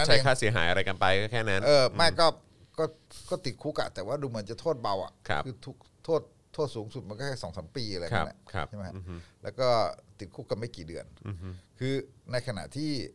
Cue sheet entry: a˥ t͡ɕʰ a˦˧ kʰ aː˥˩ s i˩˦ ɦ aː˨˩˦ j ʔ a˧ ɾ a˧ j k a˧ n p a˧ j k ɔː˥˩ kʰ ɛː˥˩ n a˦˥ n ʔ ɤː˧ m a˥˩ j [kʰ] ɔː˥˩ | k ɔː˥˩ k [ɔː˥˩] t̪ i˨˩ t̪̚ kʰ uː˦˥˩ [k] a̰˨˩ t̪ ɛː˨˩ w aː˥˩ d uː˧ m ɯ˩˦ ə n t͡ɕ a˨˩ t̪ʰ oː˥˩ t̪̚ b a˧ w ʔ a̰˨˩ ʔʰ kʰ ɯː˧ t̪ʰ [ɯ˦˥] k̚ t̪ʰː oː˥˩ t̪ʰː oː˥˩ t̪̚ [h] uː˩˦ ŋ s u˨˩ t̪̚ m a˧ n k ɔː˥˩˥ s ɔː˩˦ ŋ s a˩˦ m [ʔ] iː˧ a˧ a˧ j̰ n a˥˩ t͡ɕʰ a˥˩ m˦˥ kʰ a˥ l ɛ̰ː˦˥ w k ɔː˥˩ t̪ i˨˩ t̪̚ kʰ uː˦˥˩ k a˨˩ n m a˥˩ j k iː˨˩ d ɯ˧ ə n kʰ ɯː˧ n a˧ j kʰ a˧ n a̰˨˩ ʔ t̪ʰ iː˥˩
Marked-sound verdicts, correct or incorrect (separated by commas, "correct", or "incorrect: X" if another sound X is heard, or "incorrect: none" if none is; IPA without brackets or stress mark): incorrect: k, correct, correct, incorrect: u˦˥, incorrect: s, incorrect: p